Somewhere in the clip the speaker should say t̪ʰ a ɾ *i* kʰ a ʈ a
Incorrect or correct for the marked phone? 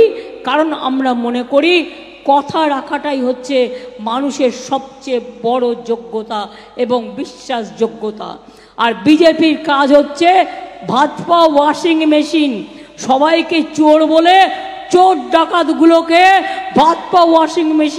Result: incorrect: a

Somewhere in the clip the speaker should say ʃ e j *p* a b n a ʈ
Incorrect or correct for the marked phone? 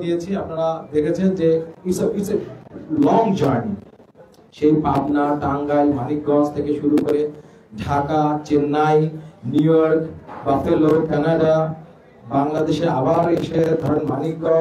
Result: correct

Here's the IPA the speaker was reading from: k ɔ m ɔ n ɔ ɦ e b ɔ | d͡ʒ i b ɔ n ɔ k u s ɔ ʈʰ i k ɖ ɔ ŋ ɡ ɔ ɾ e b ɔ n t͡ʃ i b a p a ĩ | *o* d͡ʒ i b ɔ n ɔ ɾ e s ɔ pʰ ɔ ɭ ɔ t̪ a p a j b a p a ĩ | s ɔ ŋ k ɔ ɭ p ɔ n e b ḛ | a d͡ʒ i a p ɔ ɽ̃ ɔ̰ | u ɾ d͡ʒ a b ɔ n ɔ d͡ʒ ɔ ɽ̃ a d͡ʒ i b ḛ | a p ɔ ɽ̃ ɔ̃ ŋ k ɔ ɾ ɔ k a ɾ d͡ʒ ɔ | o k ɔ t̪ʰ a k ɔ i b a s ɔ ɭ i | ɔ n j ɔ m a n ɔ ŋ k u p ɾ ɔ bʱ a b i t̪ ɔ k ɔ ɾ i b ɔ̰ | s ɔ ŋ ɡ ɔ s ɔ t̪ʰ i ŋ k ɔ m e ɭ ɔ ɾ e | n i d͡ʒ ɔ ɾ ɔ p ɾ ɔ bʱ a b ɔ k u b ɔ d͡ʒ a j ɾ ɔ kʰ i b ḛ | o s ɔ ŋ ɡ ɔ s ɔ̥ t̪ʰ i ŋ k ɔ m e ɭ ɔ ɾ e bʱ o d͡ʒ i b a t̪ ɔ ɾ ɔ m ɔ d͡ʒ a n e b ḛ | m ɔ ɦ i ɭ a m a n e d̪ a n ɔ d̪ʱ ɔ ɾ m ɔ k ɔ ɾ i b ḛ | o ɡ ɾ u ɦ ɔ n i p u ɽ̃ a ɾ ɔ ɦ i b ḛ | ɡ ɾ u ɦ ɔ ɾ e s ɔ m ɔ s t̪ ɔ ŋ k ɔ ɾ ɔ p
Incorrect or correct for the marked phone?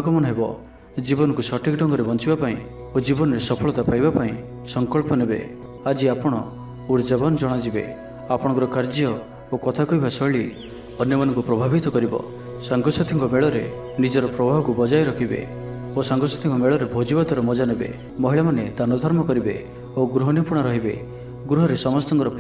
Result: correct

